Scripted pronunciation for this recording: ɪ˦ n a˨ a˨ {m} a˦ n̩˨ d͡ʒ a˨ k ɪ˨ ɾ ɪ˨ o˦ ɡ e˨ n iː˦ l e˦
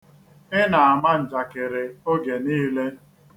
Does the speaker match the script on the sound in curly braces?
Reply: yes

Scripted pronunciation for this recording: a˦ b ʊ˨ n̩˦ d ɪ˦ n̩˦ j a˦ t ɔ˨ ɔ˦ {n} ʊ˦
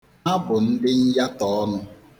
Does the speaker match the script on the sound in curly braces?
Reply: yes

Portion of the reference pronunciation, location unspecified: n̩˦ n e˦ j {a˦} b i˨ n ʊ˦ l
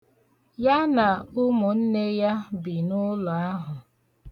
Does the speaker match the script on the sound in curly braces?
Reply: yes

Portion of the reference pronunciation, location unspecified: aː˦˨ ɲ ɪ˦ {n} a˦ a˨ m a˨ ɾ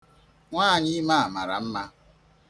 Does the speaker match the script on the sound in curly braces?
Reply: no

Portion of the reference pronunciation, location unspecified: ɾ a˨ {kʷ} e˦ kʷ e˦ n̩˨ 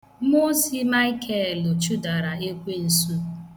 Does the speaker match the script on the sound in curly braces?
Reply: no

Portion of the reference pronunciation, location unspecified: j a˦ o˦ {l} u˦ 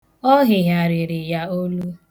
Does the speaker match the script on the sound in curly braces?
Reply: yes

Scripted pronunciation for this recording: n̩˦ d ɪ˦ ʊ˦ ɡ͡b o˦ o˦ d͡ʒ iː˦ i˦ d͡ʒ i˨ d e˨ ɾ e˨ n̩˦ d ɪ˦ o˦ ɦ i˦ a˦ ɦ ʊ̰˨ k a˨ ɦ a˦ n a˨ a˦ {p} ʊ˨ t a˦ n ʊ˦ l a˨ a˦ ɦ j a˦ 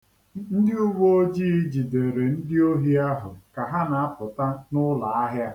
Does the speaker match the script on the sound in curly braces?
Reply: yes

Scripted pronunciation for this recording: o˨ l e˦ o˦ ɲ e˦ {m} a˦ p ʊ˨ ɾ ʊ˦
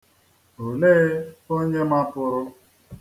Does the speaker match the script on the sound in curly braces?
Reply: yes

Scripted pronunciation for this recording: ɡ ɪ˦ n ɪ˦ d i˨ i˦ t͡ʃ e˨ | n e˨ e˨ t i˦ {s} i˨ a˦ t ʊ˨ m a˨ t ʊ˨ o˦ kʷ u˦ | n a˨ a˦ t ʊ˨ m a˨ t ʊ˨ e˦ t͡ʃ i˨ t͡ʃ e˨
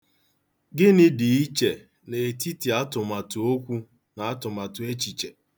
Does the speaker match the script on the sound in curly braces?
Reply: no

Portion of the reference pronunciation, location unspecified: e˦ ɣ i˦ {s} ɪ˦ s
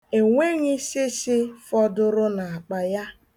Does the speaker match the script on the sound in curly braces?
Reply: yes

